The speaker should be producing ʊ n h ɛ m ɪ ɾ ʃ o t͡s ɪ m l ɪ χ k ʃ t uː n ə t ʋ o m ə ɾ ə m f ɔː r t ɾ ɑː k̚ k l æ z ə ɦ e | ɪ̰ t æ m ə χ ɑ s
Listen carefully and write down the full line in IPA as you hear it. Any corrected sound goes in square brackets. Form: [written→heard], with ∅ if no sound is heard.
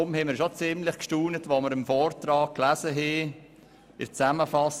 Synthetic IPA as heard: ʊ [n→m] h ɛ m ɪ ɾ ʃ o t͡s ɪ m l ɪ χ k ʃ t uː n ə t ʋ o m ə ɾ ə m f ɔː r t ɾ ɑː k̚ k l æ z ə ɦ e | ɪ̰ [t→t͡s] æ m ə [χ→f] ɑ s